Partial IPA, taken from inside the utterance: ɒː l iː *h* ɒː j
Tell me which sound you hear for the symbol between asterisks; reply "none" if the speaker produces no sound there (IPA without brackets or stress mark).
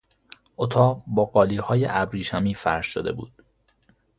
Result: h